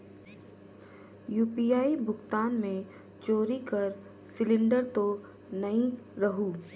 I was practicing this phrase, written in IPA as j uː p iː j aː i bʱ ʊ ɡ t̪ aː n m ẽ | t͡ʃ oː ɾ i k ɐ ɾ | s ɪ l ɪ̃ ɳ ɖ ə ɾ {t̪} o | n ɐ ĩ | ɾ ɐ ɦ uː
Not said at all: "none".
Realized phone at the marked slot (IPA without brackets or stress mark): t̪